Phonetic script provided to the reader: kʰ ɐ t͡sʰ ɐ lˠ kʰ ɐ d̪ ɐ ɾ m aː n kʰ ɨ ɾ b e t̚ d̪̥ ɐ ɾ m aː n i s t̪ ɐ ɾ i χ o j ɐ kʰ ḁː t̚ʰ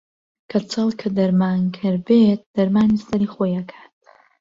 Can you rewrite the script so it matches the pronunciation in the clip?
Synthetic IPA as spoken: kʰ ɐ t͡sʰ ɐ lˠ kʰ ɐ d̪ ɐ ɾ m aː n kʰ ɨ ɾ b e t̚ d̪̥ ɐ ɾ m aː n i s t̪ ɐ ɾ i χ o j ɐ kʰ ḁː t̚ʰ